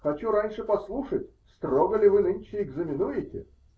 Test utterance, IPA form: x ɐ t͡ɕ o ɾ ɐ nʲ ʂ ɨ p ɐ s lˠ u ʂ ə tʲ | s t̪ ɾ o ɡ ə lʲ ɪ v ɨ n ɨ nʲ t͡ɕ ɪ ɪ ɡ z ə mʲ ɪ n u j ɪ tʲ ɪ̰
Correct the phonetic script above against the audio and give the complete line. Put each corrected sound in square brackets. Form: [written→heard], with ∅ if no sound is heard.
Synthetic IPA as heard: x ɐ t͡ɕ [o→u] ɾ [ɐ→a] nʲ ʂ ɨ p ɐ s lˠ u ʂ ə tʲ | s t̪ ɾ o ɡ ə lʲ ɪ v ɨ n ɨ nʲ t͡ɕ ɪ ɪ ɡ z ə mʲ ɪ n u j ɪ tʲ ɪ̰

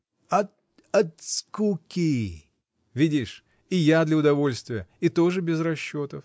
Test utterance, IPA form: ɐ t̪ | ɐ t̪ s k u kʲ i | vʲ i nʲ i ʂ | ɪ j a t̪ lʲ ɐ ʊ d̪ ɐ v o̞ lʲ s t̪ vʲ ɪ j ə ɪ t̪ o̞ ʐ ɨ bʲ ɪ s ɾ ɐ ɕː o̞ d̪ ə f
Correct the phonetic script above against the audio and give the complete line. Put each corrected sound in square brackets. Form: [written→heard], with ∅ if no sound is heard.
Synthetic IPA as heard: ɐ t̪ | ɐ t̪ s k u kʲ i | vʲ i [nʲ→dʲ] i ʂ | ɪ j a [t̪→d̪] lʲ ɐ ʊ d̪ ɐ v o̞ lʲ s t̪ vʲ ɪ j ə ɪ t̪ o̞ ʐ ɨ bʲ ɪ [s→z] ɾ ɐ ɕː o̞ [d̪→t̪] ə f

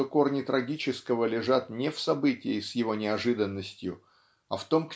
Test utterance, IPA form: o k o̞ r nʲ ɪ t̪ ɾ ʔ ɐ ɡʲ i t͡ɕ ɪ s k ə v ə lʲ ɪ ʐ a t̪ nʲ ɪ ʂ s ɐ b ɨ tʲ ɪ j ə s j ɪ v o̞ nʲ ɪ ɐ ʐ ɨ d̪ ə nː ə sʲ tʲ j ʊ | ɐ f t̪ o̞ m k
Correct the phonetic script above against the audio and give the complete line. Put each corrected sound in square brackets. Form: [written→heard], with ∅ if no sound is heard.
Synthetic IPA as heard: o k o̞ r nʲ ɪ t̪ ɾ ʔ ɐ ɡʲ i t͡ɕ ɪ s k ə v ə lʲ ɪ ʐ a t̪ nʲ ɪ [ʂ→f] s ɐ b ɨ tʲ ɪ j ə s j ɪ v o̞ nʲ ɪ ɐ ʐ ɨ d̪ ə nː ə sʲ tʲ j ʊ | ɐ f t̪ o̞ m k

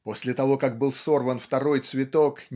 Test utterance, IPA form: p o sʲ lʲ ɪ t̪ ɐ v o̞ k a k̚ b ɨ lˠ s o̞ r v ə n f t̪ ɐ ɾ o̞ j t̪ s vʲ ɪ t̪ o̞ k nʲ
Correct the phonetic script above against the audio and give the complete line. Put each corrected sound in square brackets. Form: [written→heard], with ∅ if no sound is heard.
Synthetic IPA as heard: p o sʲ lʲ ɪ t̪ ɐ v o̞ k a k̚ b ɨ lˠ s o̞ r v ə n f t̪ ɐ ɾ o̞ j t̪ s vʲ ɪ t̪ o̞ k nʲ

